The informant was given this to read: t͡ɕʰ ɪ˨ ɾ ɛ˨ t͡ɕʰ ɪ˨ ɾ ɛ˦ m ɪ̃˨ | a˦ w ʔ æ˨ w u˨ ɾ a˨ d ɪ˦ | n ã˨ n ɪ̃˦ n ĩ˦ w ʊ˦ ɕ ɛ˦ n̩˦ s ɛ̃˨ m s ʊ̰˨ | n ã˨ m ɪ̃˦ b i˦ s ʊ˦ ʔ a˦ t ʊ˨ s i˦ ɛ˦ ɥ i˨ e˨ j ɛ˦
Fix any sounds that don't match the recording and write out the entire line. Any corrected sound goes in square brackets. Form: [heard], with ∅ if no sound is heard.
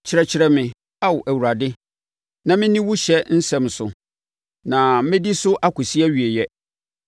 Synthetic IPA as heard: t͡ɕʰ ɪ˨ ɾ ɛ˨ t͡ɕʰ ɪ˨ ɾ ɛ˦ m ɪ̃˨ | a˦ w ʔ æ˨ w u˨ ɾ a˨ d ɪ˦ | n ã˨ [m] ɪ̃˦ n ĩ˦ w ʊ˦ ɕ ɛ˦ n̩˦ s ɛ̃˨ m s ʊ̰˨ | n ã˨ m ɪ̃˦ [d] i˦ s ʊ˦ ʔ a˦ [k] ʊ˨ s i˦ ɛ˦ ɥ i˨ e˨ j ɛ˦